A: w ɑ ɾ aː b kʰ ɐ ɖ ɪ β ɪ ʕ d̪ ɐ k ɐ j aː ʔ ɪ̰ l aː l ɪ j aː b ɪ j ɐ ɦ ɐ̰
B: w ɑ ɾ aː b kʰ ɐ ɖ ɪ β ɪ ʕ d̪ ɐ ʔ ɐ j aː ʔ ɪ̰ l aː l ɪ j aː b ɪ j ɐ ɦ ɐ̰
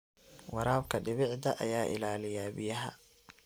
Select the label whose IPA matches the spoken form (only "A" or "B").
B